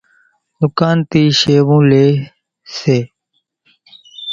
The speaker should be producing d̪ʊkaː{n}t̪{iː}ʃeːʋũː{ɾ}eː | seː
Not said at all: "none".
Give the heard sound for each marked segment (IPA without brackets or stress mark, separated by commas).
n, iː, l